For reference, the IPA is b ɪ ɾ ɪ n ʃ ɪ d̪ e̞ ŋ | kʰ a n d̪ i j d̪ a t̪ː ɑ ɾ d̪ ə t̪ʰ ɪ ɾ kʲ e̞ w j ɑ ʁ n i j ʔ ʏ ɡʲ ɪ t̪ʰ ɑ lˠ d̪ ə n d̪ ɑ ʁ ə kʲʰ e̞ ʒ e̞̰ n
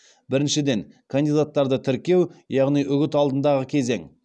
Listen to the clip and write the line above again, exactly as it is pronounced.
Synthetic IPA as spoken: b ɪ ɾ ɪ n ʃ ɪ d̪ e̞ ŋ | kʰ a n d̪ i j d̪ a t̪ː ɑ ɾ d̪ ə t̪ʰ ɪ ɾ kʲ e̞ w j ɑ ʁ n i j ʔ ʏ ɡʲ ɪ t̪ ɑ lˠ d̪ ə n d̪ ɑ ʁ ə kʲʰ e̞ z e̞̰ ŋ